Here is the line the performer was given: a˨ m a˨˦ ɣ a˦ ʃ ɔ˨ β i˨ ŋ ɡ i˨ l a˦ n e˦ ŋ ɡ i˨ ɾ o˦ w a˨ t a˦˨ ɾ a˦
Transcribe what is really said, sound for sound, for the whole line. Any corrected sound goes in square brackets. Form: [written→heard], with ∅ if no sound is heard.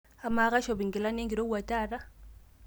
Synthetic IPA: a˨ m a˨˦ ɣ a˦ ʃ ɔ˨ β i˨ ŋ ɡ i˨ l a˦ n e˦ ŋ ɡ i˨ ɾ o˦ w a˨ t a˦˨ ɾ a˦